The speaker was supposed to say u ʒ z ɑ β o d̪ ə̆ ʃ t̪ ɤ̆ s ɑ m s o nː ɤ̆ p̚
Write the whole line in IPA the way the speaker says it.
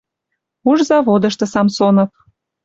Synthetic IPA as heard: u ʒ z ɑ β o d̪ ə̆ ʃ t̪ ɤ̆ s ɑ m s o n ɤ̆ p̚